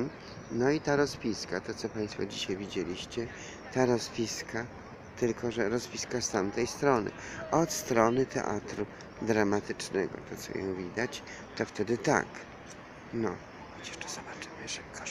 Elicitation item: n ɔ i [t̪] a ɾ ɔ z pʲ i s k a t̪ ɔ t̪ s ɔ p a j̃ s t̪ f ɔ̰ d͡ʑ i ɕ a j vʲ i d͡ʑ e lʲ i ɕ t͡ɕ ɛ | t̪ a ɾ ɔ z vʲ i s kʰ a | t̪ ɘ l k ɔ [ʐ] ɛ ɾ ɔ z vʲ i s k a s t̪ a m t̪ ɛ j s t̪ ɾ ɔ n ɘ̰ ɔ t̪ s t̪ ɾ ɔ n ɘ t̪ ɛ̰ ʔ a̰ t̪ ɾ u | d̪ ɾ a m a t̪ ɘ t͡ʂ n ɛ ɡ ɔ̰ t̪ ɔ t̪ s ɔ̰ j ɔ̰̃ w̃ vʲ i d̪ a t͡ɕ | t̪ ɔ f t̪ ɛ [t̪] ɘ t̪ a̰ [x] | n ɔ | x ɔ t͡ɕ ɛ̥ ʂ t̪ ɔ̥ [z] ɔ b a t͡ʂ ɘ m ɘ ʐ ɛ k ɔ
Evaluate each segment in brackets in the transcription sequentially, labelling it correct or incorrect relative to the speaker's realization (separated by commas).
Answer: correct, correct, incorrect, incorrect, correct